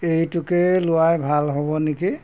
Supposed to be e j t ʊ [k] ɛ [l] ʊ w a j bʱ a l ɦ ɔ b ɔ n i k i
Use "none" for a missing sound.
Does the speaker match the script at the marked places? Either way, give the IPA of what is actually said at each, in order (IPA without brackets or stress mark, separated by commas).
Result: k, l